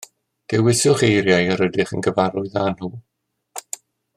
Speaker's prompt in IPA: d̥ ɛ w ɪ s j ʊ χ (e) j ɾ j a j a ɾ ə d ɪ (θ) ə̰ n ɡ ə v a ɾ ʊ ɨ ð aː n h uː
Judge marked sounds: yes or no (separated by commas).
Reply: yes, no